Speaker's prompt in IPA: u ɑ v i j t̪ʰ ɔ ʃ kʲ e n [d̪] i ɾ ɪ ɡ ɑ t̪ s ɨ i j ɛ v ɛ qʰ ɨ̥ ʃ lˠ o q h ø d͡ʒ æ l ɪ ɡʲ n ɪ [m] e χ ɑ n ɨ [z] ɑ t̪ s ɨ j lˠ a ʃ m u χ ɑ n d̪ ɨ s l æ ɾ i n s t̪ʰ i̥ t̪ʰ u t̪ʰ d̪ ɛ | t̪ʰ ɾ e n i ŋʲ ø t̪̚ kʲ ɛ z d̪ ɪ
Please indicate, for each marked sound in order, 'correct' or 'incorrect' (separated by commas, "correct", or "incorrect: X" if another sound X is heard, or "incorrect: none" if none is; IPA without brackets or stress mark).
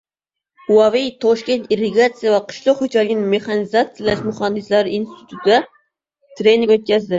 incorrect: t̪, correct, correct